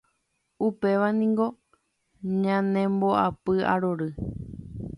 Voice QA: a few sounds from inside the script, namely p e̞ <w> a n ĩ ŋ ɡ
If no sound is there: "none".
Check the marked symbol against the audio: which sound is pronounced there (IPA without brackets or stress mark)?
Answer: ʋ